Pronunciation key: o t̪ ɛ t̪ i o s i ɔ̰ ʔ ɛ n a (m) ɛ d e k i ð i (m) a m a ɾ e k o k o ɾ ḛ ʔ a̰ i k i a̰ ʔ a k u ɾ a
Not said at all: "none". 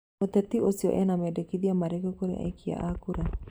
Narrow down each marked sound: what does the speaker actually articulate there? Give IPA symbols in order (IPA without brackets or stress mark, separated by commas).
m, none